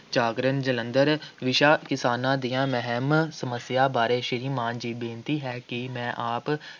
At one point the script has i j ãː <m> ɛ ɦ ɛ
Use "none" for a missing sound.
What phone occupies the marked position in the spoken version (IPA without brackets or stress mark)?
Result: m